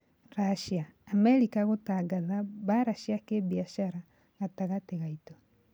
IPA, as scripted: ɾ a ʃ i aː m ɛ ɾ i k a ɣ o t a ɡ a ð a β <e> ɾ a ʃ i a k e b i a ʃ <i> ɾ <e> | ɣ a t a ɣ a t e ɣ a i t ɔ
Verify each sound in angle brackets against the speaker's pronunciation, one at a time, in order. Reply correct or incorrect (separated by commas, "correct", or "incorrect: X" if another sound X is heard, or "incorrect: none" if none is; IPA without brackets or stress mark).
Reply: incorrect: a, incorrect: a, incorrect: a